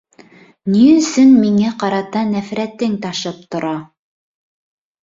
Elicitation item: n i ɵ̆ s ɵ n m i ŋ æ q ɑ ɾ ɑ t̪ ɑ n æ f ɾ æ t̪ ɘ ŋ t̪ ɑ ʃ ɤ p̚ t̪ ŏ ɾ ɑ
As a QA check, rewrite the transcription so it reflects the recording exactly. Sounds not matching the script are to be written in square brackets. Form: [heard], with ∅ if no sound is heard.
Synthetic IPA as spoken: n i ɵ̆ s ɵ n m i ŋ æ q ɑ ɾ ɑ t̪ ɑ n æ f ɾ æ t̪ ɘ ŋ t̪ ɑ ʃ ɤ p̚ t̪ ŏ ɾ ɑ